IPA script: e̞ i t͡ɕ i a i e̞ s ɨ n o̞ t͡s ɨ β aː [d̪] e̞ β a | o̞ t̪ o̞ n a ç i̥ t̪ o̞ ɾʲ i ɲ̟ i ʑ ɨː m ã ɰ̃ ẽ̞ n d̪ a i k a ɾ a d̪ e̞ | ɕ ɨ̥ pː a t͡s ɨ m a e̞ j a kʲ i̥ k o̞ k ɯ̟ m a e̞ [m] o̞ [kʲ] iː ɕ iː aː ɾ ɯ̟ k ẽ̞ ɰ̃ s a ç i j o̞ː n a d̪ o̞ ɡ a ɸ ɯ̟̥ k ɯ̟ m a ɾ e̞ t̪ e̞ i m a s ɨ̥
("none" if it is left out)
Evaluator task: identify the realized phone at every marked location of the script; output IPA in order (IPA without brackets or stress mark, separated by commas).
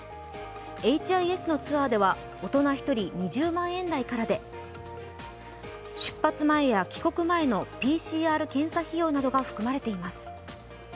d̪, n, pʲ